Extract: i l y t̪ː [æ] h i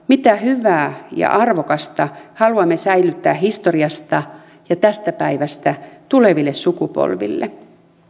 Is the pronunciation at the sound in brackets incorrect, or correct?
incorrect